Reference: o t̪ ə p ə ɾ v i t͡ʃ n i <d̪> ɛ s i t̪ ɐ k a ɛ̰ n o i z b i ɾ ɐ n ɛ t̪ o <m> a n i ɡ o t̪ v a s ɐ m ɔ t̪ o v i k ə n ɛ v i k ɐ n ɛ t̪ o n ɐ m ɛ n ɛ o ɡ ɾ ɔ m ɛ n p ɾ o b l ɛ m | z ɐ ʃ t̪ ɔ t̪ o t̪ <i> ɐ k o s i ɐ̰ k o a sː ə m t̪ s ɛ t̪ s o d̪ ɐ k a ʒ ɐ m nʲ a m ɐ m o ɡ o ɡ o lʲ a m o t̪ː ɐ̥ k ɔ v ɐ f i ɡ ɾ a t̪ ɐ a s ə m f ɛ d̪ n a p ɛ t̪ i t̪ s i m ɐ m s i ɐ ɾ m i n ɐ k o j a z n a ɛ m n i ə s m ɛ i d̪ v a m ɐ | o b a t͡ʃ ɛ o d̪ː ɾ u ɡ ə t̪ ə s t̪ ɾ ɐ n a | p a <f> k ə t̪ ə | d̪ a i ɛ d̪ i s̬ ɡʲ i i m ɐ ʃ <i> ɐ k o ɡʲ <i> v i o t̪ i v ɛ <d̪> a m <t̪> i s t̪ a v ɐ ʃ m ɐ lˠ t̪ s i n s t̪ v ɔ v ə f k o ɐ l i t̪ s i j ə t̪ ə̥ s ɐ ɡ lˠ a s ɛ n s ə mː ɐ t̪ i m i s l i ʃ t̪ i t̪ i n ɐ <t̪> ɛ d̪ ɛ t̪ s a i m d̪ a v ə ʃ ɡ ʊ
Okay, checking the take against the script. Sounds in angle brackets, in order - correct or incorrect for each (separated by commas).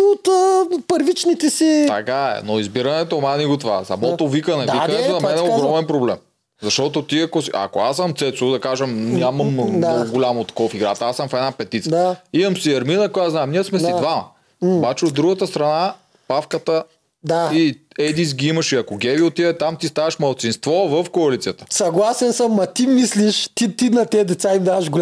incorrect, correct, correct, correct, correct, incorrect, incorrect, correct, correct